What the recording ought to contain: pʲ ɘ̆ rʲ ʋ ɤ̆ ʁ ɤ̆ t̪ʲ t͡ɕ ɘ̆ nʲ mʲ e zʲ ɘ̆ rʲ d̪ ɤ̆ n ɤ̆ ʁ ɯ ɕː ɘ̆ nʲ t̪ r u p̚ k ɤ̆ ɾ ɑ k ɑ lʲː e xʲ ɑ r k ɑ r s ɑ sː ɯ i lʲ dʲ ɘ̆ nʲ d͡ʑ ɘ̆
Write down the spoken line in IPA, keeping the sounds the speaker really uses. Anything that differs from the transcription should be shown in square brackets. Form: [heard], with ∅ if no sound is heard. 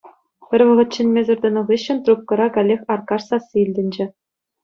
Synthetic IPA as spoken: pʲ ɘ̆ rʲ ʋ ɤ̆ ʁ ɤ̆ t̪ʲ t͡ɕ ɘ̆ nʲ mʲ e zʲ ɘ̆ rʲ d̪ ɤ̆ n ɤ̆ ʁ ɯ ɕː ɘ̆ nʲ t̪ r u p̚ k ɤ̆ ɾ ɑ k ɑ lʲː e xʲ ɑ r k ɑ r s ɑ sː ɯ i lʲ dʲ ɘ̆ nʲ d͡ʑ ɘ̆